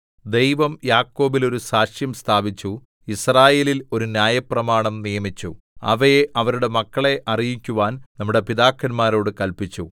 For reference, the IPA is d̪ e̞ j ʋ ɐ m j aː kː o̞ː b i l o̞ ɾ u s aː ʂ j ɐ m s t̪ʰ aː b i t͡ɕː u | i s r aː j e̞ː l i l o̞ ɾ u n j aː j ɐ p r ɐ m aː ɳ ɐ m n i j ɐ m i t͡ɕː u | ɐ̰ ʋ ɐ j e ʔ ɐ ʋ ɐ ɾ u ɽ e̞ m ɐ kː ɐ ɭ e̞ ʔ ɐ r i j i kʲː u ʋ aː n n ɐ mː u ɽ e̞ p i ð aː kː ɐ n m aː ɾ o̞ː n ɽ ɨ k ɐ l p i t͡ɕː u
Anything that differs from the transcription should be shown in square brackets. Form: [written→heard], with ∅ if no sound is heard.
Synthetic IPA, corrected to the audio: d̪ e̞ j ʋ ɐ m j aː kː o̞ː b i l o̞ ɾ u s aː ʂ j ɐ m s t̪ʰ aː b i t͡ɕː u | i s r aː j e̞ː l i l o̞ ɾ u n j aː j ɐ p r ɐ m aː ɳ ɐ m n i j ɐ m i t͡ɕː u | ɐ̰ ʋ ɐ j e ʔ ɐ ʋ ɐ ɾ u ɽ e̞ m ɐ kː ɐ ɭ e̞ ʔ ɐ r i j i kʲː u ʋ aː n n ɐ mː u ɽ e̞ p i ð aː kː ɐ n m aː ɾ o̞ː [n→∅] ɽ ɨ k ɐ l p i t͡ɕː u